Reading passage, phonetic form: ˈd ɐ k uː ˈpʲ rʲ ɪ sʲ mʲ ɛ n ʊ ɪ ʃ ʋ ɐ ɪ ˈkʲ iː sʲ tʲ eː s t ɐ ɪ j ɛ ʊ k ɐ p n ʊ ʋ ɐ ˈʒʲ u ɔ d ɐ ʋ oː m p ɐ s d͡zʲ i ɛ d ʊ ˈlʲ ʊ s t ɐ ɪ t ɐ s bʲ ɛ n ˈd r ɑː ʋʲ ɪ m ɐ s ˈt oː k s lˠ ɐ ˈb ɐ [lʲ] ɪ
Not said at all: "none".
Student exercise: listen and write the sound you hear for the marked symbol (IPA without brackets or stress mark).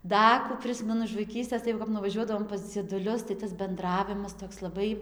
none